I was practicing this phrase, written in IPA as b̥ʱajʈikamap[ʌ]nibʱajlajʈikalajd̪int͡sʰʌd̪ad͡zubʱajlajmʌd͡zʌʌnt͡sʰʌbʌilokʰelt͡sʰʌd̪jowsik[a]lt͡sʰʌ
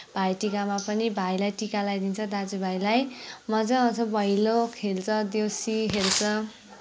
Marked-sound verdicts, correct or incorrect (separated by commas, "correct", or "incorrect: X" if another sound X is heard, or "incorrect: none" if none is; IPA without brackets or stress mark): correct, incorrect: e